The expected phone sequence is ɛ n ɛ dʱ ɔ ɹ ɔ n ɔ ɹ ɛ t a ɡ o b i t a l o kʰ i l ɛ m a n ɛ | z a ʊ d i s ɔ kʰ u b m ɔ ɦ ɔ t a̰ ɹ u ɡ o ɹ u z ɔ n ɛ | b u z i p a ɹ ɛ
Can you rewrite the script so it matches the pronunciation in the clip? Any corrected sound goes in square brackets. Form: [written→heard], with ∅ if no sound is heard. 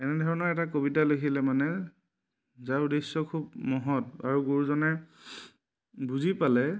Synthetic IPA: ɛ n ɛ dʱ ɔ ɹ ɔ n ɔ ɹ ɛ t a [ɡ→k] o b i t a l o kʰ i l ɛ m a n ɛ | z a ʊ d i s ɔ kʰ u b m ɔ ɦ ɔ t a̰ ɹ u ɡ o ɹ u z ɔ n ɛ | b u z i p a [ɹ→l] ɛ